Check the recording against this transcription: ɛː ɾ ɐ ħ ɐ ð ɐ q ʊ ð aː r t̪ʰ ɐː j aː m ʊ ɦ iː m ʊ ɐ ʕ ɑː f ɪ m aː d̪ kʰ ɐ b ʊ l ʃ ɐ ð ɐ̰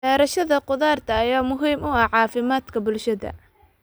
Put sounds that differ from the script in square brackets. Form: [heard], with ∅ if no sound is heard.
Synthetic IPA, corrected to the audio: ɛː ɾ ɐ [ʃ] ɐ ð ɐ q ʊ ð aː r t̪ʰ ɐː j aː m ʊ ɦ iː m ʊ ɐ ʕ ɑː f ɪ m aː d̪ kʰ ɐ b ʊ l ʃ ɐ ð ɐ̰